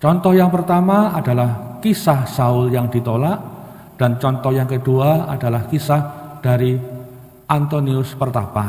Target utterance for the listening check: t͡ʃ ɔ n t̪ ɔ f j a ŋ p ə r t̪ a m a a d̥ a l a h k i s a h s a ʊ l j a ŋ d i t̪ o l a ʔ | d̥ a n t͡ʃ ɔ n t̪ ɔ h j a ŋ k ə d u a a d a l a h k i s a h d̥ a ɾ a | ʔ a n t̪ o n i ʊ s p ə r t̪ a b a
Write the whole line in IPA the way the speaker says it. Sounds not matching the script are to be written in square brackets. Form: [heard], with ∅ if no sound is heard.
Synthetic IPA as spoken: t͡ʃ ɔ n t̪ ɔ [h] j a ŋ p ə r t̪ a m a a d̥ a l a h k i s a h s a ʊ l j a ŋ d i t̪ o l a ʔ | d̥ a n t͡ʃ ɔ n t̪ ɔ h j a ŋ k ə d u a a d a l a h k i s a h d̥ a ɾ [i] | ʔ a n t̪ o n i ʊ s p ə r t̪ a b a

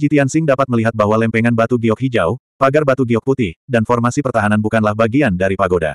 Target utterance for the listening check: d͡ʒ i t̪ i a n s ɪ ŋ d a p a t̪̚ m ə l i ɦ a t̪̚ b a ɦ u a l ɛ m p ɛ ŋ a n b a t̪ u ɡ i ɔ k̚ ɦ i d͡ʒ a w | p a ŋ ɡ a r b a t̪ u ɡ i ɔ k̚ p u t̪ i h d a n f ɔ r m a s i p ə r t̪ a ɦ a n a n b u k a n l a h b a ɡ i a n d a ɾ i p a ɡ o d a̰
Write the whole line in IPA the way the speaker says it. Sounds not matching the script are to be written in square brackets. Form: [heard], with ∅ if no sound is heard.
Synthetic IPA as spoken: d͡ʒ i t̪ i a n s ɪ ŋ d a p a t̪̚ m ə l i ɦ a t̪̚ b a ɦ [w] a l ɛ m p ɛ ŋ a n b a t̪ u ɡ i ɔ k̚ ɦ i d͡ʒ a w | p a [∅] ɡ a r b a t̪ u ɡ i ɔ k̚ p u t̪ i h d a n f ɔ r m a s i p ə r t̪ a ɦ a n a n b u k a n l a h b a ɡ i a n d a ɾ i p a ɡ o d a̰

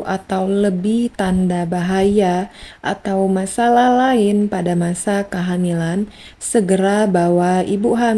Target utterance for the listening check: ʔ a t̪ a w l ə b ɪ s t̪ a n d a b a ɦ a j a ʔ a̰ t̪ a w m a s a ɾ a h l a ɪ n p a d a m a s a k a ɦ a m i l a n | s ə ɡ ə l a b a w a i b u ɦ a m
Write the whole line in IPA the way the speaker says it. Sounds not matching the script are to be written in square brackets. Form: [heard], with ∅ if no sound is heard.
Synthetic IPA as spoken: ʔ a t̪ a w l ə b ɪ [h] t̪ a n d a b a ɦ a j a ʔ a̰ t̪ a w m a s a [l] a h l a ɪ n p a d a m a s a k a ɦ a m i l a n | s ə ɡ ə [ɾ] a b a w a i b u ɦ a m

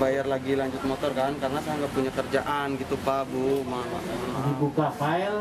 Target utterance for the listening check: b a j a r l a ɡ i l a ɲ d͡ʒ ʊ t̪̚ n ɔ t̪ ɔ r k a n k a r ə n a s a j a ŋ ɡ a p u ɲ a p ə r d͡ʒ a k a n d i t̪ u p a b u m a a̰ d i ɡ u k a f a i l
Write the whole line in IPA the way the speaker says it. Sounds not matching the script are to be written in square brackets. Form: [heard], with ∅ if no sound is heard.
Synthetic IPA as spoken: b a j a r l a ɡ i l a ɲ d͡ʒ ʊ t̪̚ [m] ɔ t̪ ɔ r k a n k a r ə n a s a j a ŋ ɡ a p u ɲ a [k] ə r d͡ʒ a [ʔ] a n [ɡ] i t̪ u p a b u m a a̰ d i [b] u k a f a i l

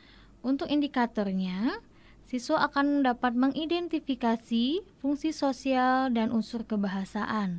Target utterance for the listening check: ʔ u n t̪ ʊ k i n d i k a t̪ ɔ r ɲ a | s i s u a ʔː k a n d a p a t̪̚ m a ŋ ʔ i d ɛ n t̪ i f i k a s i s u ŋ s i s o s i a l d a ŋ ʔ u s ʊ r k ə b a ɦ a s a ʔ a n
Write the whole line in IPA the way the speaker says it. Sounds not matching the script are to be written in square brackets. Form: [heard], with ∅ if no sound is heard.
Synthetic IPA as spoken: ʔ u n t̪ ʊ k i n d i k a t̪ ɔ r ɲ a | s i s [w] a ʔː k a n d a p a t̪̚ m [ə] ŋ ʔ i d ɛ n t̪ i f i k a s i [f] u ŋ s i s o s i a l d a [n] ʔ u s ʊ r k ə b a ɦ a s a ʔ a n

